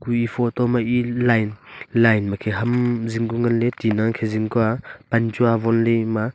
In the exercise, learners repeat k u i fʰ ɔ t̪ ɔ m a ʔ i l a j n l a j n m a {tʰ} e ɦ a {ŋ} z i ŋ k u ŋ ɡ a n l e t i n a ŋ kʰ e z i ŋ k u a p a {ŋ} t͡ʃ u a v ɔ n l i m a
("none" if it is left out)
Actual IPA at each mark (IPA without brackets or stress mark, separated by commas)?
kʰ, m, n